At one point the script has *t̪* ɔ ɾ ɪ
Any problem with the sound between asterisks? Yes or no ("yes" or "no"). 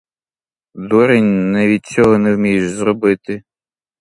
yes